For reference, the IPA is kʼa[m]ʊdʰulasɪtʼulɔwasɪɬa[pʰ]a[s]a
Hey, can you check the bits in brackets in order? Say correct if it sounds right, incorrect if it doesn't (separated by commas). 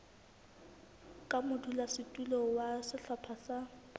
correct, correct, correct